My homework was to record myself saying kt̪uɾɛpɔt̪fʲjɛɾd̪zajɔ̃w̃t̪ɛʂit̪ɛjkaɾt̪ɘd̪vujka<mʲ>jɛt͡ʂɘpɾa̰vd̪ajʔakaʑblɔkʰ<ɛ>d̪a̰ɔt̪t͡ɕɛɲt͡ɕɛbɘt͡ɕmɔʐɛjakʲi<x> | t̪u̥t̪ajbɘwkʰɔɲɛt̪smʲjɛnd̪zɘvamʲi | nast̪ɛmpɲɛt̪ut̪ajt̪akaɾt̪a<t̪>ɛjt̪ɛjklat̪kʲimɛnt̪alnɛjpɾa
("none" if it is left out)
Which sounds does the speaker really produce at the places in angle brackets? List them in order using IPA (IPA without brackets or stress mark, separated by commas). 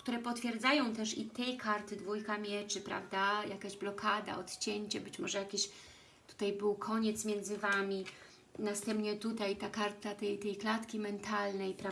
mʲ, a, ɕ, t̪